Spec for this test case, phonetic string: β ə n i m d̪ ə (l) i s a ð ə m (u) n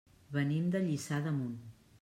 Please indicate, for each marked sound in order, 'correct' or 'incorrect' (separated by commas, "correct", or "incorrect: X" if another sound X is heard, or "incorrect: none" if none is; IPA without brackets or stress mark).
incorrect: ʎ, correct